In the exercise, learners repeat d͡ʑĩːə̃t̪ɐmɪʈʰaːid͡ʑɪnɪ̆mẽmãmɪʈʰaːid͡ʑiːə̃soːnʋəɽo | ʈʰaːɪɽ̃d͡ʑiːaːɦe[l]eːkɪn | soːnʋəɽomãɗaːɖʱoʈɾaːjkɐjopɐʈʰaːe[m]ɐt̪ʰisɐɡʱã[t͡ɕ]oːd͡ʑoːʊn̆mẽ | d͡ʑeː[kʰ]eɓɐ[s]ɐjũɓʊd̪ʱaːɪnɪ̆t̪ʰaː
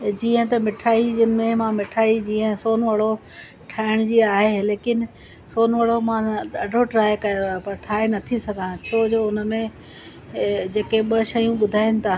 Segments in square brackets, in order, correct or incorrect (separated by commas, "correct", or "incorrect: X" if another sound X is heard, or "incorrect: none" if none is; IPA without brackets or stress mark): correct, incorrect: n, incorrect: t͡ɕʰ, incorrect: k, incorrect: ʃ